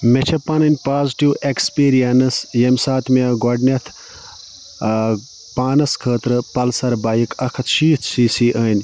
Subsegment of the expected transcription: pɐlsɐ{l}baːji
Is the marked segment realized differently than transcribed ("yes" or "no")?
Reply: yes